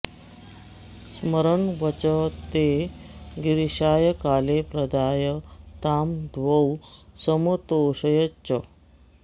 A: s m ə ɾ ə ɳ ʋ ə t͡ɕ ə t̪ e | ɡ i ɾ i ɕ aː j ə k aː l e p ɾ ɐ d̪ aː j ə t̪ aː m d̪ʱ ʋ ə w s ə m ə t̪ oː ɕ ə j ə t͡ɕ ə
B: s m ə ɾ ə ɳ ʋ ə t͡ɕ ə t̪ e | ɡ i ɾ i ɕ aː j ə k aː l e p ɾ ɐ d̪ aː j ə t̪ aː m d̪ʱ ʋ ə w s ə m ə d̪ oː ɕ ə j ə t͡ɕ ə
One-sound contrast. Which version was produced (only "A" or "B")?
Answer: A